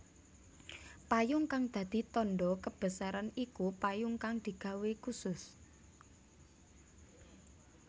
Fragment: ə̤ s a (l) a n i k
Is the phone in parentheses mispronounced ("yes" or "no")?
yes